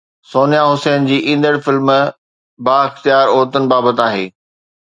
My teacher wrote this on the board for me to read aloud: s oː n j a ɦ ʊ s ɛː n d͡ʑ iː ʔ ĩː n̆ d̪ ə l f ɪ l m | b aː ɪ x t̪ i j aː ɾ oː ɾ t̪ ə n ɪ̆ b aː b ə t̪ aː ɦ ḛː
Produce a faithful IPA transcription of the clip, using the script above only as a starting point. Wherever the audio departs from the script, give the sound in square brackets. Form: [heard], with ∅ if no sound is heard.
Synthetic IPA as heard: s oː n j a ɦ ʊ s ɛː n d͡ʑ iː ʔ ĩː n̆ d̪ ə [ɽ] f ɪ l m | b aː ɪ x t̪ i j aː ɾ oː ɾ t̪ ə n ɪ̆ b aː b ə t̪ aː ɦ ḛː